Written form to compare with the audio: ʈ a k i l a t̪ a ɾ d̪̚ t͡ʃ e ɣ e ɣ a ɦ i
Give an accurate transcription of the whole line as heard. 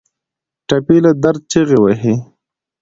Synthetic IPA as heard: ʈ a p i l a d̪ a ɾ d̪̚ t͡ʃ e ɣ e w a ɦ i

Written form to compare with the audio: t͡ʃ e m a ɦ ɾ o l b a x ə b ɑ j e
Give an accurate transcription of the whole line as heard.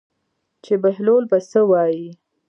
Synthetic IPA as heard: t͡ʃ e b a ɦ l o l b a s ə w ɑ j i

